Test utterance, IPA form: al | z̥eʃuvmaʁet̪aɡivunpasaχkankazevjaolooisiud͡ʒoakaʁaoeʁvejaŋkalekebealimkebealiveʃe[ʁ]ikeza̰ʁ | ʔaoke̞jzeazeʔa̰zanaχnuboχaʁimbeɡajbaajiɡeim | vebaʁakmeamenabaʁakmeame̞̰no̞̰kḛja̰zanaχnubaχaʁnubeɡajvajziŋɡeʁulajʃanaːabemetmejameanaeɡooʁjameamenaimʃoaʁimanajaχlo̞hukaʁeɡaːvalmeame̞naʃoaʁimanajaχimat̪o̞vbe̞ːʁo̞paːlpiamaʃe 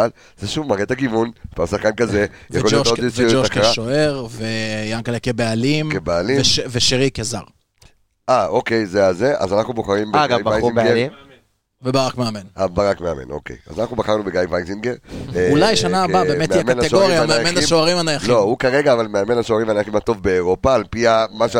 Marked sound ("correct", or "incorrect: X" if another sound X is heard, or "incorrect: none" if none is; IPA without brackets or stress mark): correct